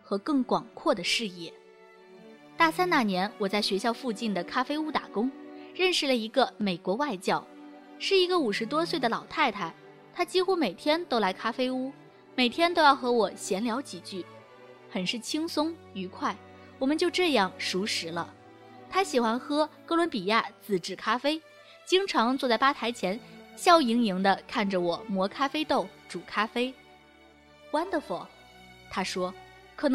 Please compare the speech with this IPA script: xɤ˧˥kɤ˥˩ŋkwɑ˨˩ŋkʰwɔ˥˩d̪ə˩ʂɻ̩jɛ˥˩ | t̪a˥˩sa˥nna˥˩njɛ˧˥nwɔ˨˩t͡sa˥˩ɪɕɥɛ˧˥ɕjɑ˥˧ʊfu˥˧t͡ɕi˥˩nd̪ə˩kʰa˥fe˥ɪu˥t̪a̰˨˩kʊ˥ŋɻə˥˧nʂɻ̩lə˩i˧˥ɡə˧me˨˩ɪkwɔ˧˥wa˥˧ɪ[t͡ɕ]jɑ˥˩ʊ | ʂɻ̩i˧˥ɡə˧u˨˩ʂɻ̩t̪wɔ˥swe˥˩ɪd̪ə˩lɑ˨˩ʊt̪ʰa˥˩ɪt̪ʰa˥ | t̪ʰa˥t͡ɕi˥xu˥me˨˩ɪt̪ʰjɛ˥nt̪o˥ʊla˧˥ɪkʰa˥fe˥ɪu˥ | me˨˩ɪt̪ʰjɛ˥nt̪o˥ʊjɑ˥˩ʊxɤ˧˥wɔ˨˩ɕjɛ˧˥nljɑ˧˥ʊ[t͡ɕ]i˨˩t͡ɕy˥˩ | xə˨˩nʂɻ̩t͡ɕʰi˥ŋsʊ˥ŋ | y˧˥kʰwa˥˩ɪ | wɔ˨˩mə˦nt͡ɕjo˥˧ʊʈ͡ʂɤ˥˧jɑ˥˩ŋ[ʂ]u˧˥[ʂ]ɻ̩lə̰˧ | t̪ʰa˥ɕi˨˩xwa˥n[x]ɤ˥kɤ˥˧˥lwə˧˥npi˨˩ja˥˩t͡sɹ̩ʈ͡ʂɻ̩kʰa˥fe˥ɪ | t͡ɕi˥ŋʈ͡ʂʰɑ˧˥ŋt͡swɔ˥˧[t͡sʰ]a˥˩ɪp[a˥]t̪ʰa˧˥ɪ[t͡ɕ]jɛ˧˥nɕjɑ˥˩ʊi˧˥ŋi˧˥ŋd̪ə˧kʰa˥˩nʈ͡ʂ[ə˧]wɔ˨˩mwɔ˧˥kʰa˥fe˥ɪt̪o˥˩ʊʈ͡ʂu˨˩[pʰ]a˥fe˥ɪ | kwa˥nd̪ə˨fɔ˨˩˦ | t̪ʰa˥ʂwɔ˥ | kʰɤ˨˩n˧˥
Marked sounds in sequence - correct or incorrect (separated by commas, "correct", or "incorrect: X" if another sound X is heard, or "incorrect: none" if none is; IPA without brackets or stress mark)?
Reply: correct, correct, correct, correct, correct, incorrect: t͡s, correct, incorrect: t͡ɕʰ, incorrect: ə˩, incorrect: kʰ